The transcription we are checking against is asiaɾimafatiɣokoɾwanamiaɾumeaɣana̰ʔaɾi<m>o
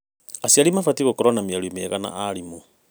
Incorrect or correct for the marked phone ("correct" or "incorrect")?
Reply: correct